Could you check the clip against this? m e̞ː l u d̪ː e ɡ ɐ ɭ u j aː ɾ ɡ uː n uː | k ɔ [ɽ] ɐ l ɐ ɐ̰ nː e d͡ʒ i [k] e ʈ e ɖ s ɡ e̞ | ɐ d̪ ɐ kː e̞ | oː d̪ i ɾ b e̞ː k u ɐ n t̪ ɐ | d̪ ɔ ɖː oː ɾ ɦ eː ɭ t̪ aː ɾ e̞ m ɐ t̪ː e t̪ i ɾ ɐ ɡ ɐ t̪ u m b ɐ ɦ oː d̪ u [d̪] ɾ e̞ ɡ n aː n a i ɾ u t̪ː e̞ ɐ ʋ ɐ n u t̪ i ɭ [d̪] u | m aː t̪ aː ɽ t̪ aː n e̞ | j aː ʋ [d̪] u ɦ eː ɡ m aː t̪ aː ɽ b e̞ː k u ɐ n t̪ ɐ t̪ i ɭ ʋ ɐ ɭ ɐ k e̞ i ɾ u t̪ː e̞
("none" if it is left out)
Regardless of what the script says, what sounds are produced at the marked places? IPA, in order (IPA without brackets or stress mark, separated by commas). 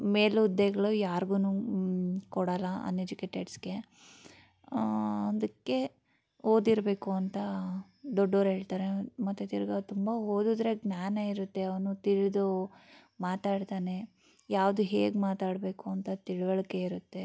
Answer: ɽ, k, d̪, d̪, d̪